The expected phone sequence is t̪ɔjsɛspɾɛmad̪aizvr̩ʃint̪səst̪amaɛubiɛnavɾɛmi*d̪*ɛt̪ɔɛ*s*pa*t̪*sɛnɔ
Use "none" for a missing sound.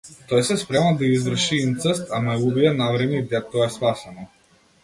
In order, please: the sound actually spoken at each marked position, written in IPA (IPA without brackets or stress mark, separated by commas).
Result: d̪, s, none